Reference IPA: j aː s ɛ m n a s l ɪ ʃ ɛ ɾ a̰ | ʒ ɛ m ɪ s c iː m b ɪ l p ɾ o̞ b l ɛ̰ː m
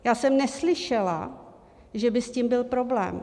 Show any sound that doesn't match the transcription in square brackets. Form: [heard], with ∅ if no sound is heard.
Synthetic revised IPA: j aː s ɛ m n [ɛ] s l ɪ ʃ ɛ [l] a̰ | ʒ ɛ [b] ɪ s c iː m b ɪ l p ɾ o̞ b l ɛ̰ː m

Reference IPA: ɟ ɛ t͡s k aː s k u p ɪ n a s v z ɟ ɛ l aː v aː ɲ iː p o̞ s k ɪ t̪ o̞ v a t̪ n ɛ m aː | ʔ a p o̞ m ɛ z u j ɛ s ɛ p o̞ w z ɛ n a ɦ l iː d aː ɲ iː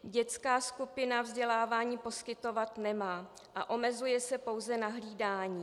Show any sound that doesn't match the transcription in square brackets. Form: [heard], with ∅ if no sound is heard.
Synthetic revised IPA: ɟ ɛ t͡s k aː s k u p ɪ n a [∅] v z ɟ ɛ l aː v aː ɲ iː p o̞ s k ɪ t̪ o̞ v a t̪ n ɛ m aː | ʔ a [ʔ] o̞ m ɛ z u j ɛ s ɛ p o̞ w z ɛ n a ɦ l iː d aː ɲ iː

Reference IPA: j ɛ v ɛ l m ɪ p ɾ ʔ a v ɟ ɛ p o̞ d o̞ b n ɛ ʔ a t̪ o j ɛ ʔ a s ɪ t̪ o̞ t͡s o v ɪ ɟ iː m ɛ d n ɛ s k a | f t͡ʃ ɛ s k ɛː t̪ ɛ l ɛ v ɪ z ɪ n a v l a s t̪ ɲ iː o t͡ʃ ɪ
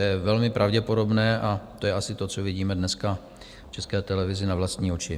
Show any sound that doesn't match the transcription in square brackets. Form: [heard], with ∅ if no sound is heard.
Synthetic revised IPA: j ɛ v ɛ l m ɪ p ɾ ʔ a v ɟ ɛ p o̞ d o̞ b n [ɛː] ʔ a t̪ o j ɛ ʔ a s ɪ t̪ o̞ t͡s o v ɪ ɟ iː m ɛ d n ɛ s k a | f t͡ʃ ɛ s k ɛː t̪ ɛ l ɛ v ɪ z ɪ n a v l a s t̪ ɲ iː o t͡ʃ ɪ

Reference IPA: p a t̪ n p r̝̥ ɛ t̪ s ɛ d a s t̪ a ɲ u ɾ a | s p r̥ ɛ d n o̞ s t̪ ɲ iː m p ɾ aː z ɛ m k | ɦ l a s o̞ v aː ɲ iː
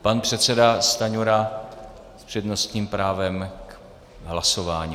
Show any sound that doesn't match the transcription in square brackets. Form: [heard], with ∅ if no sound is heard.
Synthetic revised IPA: p a [∅] n p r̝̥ ɛ t̪ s ɛ d a s t̪ a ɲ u ɾ a | s p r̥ ɛ d n o̞ s t̪ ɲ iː m p ɾ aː [v] ɛ m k | ɦ l a s o̞ v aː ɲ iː

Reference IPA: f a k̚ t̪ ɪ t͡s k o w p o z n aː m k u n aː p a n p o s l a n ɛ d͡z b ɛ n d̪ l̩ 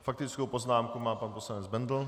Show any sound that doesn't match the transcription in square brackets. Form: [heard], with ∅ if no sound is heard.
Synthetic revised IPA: f a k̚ t̪ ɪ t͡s k o w p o z n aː m k u [m] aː p a n p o s l a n ɛ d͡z b ɛ n d̪ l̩

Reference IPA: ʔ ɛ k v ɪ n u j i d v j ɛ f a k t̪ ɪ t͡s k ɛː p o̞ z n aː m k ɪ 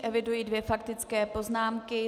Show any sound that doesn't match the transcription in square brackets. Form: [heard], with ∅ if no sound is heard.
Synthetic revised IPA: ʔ ɛ [∅] v ɪ [d] u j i d v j ɛ f a k t̪ ɪ t͡s k ɛː p o̞ z n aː m k ɪ

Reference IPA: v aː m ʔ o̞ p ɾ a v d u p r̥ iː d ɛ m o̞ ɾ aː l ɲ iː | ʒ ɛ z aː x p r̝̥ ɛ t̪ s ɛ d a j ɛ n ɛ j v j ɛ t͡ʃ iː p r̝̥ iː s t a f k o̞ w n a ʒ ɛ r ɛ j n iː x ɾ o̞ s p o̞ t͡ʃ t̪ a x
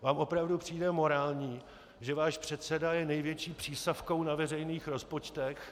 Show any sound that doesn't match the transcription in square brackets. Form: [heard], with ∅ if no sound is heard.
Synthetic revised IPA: v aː m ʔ o̞ p ɾ a v d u p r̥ iː d ɛ m o̞ ɾ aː l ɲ iː | ʒ ɛ [v] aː [ʃ] p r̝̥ ɛ t̪ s ɛ d a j ɛ n ɛ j v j ɛ t͡ʃ iː p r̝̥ iː s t a f k o̞ w n a [v] ɛ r ɛ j n iː x ɾ o̞ s p o̞ t͡ʃ t̪ [ɛ] x

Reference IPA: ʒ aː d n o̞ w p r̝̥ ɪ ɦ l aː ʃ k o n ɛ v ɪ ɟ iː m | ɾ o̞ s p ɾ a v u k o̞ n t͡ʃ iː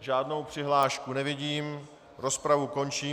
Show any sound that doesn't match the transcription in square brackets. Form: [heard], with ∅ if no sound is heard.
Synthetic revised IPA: ʒ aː d n o̞ w p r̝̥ ɪ ɦ l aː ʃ k [u] n ɛ v ɪ ɟ iː m | ɾ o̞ s p ɾ a v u k o̞ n t͡ʃ iː

